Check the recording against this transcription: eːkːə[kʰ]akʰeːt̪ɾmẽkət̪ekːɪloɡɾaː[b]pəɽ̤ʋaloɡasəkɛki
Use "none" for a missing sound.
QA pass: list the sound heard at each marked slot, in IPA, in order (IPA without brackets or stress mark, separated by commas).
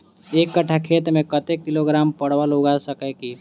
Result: ʈʰ, m